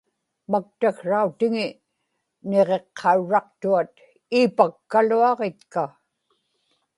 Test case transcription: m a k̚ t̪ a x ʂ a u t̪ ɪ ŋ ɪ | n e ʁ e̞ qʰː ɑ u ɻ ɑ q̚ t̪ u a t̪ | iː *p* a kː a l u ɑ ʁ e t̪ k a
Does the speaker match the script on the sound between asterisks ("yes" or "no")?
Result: yes